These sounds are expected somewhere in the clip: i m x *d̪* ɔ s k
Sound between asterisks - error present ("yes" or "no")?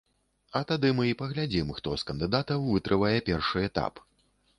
yes